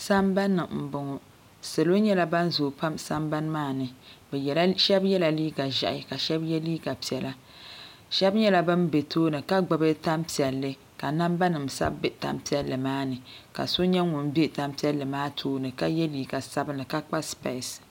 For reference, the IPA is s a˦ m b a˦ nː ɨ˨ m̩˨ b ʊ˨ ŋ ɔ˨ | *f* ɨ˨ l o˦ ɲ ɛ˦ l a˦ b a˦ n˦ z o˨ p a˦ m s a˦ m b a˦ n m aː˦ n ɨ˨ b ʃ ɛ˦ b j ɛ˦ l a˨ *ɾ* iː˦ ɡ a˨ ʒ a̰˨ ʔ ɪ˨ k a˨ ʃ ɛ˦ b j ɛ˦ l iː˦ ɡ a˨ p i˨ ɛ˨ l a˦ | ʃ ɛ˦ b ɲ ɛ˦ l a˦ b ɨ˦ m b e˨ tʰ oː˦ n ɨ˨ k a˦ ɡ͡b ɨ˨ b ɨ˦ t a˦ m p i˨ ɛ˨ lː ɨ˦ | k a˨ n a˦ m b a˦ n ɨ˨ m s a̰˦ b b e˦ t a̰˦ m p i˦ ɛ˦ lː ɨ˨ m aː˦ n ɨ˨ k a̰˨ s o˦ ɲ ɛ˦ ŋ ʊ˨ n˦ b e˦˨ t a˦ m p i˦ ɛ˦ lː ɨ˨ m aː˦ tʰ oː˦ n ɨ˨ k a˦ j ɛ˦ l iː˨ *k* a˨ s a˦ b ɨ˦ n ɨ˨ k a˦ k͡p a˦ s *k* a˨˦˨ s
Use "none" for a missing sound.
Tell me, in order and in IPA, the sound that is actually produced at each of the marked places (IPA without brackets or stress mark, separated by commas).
s, l, ɡ, p